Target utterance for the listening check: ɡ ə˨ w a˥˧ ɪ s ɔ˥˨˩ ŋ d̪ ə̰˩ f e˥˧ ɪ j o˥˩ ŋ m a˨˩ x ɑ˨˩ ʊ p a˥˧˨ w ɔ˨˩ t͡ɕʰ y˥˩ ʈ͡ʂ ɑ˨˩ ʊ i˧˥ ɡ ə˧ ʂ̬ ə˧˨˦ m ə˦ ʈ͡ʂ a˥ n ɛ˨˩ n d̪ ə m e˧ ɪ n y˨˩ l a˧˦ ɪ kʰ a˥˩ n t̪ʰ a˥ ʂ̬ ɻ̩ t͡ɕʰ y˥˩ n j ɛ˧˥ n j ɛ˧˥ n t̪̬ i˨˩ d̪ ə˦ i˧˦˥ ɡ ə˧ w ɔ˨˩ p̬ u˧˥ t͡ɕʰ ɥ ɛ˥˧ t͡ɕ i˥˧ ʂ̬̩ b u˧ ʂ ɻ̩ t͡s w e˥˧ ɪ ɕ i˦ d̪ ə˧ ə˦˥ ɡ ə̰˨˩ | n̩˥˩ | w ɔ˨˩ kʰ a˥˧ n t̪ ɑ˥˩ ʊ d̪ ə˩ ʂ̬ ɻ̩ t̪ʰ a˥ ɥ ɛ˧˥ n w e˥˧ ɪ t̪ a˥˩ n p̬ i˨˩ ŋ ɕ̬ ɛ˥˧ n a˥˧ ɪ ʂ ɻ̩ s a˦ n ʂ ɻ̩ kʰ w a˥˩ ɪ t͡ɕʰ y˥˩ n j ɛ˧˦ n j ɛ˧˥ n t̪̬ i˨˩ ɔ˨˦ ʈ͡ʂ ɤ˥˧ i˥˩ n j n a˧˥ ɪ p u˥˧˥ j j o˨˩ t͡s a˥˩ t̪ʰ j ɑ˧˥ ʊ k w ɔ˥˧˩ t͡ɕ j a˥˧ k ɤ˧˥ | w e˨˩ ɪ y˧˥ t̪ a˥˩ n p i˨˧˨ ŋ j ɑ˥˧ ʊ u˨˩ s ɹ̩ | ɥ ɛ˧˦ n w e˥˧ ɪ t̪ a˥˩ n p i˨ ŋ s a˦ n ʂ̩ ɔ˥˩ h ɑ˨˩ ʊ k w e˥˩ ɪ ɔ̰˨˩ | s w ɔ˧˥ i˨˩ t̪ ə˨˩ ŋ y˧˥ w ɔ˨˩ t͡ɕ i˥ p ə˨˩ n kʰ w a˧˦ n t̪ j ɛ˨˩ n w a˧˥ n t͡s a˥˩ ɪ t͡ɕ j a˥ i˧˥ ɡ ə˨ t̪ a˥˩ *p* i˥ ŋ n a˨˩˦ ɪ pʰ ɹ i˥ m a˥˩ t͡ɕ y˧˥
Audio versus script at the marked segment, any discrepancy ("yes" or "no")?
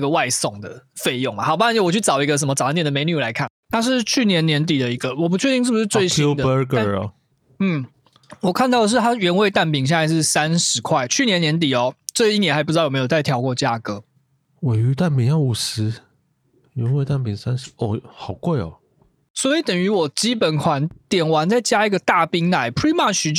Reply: no